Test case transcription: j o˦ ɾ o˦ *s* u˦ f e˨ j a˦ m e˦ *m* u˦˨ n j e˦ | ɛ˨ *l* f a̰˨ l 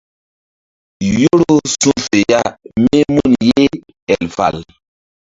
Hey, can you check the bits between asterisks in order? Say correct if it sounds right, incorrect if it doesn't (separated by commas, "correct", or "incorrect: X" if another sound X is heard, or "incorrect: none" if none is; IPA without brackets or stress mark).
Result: correct, correct, correct